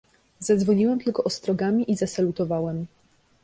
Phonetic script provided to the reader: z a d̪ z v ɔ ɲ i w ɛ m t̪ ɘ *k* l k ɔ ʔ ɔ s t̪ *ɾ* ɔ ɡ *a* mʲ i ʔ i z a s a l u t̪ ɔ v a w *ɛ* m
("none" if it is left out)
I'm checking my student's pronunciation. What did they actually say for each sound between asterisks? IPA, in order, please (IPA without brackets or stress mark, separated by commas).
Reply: none, ɾ, a, ɛ